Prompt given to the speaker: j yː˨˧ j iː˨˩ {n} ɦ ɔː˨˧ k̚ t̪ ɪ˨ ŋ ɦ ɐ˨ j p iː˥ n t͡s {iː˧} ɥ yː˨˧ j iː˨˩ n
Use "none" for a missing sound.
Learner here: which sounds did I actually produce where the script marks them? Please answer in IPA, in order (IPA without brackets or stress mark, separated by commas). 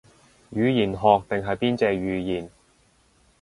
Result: n, ɛː˧